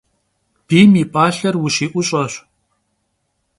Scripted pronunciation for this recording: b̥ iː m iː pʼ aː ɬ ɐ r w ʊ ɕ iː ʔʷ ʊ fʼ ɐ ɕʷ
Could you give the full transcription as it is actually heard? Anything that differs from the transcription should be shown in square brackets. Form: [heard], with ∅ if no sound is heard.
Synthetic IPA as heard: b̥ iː m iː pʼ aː ɬ ɐ r w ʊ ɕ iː ʔʷ ʊ [ɕʼ] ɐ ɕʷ